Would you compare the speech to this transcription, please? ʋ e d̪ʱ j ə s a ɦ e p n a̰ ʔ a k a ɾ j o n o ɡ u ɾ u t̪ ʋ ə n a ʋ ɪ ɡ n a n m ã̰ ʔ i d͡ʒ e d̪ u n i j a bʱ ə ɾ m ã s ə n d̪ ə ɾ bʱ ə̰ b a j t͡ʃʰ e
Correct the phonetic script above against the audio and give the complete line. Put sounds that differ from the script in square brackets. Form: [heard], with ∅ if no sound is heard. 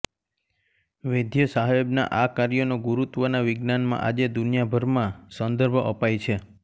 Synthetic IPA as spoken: ʋ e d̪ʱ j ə s a ɦ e [b] n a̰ ʔ a k a ɾ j o n o ɡ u ɾ u t̪ ʋ ə n a ʋ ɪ ɡ n a n m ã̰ ʔ [a] d͡ʒ e d̪ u n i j a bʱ ə ɾ m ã s ə n d̪ ə ɾ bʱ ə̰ [p] a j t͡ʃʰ e